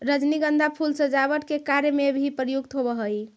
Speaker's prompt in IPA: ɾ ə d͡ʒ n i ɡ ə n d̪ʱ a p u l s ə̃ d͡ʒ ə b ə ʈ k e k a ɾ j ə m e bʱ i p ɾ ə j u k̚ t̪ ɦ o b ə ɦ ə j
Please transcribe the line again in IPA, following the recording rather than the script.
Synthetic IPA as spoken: ɾ ə d͡ʒ n i ɡ ə n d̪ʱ a pʰ u l s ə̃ d͡ʒ a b ə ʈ k e k a ɾ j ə m e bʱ i p ɾ ə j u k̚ t̪ ɦ o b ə ɦ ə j